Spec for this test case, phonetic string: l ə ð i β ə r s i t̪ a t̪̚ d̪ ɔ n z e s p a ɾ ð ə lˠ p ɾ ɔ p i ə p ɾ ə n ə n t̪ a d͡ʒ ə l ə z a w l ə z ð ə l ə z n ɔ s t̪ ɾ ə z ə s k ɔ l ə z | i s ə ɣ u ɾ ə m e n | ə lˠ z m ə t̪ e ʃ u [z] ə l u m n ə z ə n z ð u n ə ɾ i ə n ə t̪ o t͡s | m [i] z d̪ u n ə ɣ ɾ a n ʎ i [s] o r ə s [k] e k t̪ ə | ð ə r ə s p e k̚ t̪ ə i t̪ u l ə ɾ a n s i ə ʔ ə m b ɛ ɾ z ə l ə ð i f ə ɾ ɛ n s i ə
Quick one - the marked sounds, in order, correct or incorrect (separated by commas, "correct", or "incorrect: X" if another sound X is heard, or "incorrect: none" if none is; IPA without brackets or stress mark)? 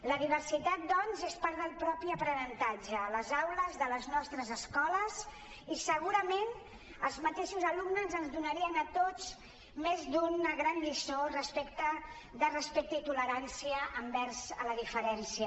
correct, incorrect: e, correct, incorrect: p